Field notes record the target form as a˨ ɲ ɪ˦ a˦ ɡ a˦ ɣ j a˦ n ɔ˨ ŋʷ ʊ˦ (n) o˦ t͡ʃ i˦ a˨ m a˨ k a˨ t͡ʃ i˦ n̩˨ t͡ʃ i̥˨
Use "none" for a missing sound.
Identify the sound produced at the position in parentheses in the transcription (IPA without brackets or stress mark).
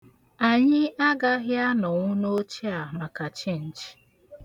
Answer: n